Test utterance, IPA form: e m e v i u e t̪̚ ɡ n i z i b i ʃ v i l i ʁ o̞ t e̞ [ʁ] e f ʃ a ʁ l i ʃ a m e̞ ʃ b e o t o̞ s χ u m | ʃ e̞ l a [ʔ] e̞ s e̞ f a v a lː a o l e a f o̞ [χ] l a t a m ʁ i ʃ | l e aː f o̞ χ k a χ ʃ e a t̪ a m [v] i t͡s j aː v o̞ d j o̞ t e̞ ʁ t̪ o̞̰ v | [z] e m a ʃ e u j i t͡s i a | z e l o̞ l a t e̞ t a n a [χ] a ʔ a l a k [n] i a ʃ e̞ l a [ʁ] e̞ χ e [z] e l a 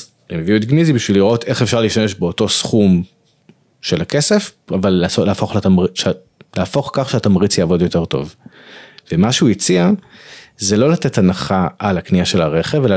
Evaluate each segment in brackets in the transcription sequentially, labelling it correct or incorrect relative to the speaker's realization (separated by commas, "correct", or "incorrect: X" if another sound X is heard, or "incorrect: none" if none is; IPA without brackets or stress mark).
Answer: incorrect: χ, incorrect: k, correct, incorrect: ʁ, incorrect: v, correct, correct, correct, incorrect: v